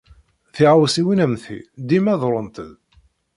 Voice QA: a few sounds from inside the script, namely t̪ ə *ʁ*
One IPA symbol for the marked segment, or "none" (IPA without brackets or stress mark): ð